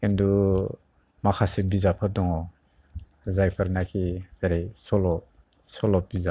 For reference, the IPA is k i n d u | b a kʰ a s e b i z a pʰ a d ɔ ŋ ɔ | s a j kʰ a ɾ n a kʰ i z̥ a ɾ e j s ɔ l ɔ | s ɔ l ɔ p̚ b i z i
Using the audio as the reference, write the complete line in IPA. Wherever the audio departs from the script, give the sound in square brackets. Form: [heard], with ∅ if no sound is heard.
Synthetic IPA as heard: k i n d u | [m] a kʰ a s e b i z a pʰ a d ɔ ŋ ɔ | [z] a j [pʰ] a ɾ n a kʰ i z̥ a ɾ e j s ɔ l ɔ | s ɔ l ɔ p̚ b i z [a]